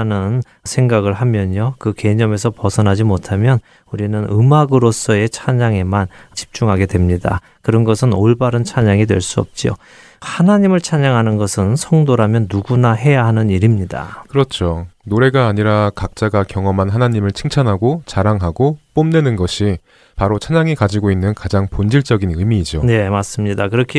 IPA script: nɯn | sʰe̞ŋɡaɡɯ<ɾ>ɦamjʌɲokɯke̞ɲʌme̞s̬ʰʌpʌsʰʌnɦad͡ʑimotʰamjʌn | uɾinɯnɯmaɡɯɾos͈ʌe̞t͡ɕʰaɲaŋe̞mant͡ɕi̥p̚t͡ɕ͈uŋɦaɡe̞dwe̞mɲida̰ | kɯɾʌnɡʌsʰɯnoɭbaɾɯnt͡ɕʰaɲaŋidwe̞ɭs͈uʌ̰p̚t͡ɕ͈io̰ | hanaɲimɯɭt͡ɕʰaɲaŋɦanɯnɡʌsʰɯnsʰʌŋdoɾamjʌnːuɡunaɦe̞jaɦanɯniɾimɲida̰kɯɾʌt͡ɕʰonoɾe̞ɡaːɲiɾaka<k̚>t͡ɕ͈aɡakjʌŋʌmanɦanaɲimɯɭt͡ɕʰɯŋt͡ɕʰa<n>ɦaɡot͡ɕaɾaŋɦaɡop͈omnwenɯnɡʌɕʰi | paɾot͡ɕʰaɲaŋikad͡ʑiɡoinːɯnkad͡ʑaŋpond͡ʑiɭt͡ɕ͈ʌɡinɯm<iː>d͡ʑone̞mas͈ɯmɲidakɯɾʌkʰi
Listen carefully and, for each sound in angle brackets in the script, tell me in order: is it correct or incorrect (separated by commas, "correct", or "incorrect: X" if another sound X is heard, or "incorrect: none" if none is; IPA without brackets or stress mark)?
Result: incorrect: ɭ, correct, correct, correct